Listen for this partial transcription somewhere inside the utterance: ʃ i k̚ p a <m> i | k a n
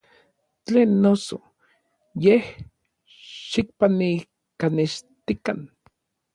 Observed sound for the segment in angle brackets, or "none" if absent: n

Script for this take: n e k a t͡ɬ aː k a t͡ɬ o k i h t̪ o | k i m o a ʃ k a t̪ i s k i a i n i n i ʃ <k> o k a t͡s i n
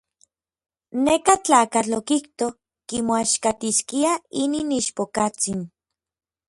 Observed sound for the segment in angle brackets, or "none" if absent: p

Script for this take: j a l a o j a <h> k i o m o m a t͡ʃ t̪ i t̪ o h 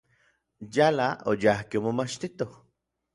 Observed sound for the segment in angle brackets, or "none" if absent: h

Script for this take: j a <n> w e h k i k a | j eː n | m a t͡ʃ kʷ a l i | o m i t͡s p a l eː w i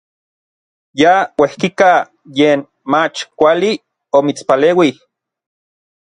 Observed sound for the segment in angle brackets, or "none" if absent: none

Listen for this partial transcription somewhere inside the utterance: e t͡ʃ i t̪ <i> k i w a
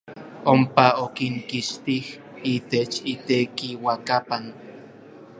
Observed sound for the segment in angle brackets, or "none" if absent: e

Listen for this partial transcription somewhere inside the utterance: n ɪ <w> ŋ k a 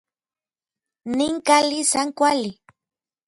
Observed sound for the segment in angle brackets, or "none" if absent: none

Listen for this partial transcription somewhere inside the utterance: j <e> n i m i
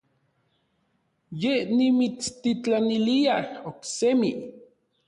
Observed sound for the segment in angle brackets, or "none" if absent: e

